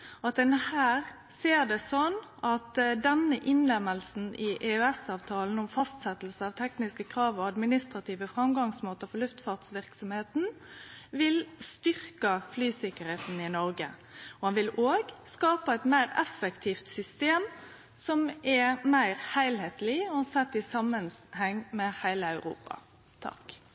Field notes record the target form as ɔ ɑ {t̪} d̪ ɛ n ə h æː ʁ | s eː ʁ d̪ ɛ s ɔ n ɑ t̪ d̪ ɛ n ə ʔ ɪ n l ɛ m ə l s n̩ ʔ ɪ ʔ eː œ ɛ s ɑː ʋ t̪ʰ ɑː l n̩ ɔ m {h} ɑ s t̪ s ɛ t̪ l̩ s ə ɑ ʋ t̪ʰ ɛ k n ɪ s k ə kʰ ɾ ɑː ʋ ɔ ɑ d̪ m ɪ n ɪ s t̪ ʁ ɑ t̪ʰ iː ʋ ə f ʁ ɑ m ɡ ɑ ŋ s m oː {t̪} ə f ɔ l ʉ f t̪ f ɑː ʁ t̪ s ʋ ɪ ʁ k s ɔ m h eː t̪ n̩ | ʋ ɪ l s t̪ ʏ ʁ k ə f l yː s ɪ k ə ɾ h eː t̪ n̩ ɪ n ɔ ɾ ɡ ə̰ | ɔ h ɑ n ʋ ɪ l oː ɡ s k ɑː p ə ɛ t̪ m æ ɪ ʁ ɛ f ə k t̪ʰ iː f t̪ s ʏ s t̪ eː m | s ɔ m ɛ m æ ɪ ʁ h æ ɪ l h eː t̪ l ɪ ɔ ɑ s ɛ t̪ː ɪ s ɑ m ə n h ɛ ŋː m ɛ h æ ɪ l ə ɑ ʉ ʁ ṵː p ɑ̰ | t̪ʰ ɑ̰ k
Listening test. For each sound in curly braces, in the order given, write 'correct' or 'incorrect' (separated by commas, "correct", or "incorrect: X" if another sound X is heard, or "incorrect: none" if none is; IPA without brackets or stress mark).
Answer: correct, incorrect: f, correct